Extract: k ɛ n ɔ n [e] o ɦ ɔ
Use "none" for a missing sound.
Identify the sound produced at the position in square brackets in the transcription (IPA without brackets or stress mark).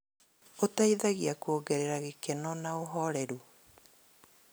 a